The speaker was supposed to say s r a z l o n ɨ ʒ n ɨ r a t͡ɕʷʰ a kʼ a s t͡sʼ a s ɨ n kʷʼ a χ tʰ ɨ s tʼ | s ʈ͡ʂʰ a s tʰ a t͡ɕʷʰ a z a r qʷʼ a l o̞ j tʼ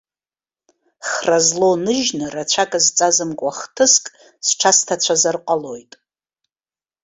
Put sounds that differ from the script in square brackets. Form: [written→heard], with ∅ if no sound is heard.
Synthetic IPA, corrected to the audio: [s→χ] r a z l o n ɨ ʒ n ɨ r a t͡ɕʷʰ a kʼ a [s→z] t͡sʼ a [s→z] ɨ [n→m] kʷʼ a χ tʰ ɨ s [tʼ→kʼ] | s ʈ͡ʂʰ a s tʰ a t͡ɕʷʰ a z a r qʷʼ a l o̞ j tʼ